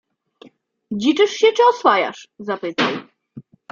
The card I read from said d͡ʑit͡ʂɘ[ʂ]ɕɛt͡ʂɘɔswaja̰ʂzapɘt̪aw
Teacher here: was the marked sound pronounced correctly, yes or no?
yes